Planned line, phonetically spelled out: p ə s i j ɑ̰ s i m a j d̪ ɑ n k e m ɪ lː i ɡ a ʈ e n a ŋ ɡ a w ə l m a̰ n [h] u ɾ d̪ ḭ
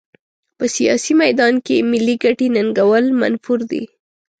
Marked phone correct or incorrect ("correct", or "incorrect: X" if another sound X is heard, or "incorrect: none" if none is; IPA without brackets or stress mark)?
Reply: incorrect: f